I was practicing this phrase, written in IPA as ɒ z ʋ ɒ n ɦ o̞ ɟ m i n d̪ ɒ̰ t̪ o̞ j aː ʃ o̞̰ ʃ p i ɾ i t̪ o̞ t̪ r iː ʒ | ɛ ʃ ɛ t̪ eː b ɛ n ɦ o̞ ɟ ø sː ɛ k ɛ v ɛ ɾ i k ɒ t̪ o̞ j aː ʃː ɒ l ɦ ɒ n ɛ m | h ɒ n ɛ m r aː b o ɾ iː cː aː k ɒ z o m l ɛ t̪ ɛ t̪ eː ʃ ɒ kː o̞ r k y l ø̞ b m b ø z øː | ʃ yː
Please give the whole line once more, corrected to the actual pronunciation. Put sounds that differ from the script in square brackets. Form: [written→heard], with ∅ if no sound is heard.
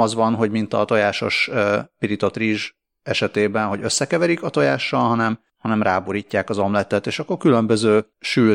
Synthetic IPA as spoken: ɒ z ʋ ɒ n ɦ o̞ ɟ m i n [d̪→t̪] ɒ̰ t̪ o̞ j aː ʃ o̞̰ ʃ p i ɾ i t̪ o̞ t̪ r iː ʒ | ɛ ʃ ɛ t̪ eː b ɛ n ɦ o̞ ɟ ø sː ɛ k ɛ v ɛ ɾ i k ɒ t̪ o̞ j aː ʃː ɒ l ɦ ɒ n ɛ m | h ɒ n ɛ m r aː b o ɾ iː cː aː k ɒ z o m l ɛ t̪ ɛ t̪ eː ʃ ɒ kː o̞ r k y l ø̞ [b→∅] m b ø z øː | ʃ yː